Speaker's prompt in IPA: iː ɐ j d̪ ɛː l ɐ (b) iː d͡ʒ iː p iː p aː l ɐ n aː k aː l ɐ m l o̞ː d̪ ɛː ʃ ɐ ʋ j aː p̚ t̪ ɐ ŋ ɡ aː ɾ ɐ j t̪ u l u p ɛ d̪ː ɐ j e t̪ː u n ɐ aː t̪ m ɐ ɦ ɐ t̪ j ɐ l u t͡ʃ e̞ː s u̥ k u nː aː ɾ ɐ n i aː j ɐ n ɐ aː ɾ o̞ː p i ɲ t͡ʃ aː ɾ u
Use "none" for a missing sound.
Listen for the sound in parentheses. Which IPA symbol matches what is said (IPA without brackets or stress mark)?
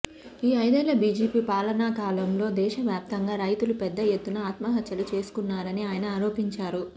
b